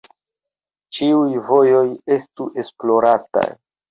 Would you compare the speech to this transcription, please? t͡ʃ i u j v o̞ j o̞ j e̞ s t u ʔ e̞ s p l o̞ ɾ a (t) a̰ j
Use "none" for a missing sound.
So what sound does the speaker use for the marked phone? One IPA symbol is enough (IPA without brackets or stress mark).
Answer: t